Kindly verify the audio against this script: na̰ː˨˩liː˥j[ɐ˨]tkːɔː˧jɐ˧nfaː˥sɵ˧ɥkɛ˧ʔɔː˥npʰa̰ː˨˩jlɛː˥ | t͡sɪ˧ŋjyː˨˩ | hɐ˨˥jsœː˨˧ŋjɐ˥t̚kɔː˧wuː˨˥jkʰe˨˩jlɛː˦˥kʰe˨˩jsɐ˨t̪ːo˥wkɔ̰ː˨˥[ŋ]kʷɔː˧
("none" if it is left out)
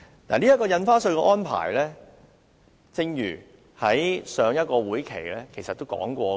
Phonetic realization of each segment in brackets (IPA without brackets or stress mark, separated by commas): ɐ˥, ŋ